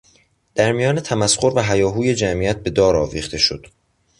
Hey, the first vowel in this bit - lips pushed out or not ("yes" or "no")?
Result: no